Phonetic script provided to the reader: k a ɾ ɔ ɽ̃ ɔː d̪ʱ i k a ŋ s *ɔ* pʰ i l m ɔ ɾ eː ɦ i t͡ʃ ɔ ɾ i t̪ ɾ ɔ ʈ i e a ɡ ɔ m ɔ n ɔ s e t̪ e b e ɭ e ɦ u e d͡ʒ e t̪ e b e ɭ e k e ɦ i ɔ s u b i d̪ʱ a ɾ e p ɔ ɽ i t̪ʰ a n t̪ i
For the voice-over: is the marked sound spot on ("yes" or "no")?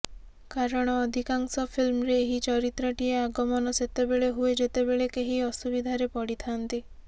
yes